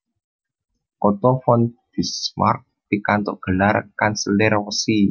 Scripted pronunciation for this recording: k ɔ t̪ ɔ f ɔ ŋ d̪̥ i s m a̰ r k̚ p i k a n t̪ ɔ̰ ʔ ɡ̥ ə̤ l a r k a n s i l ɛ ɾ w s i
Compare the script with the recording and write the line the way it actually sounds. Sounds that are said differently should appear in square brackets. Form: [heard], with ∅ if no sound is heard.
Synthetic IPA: k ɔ t̪ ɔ f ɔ [n] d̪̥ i s m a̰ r k̚ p i k a n t̪ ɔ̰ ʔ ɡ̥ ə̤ l a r k a n s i l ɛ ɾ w s i